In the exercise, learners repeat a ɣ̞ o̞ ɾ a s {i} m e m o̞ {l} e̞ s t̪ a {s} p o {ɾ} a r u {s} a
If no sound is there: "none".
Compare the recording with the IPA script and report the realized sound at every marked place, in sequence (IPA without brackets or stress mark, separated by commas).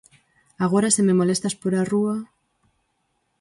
e, l, s, ɾ, none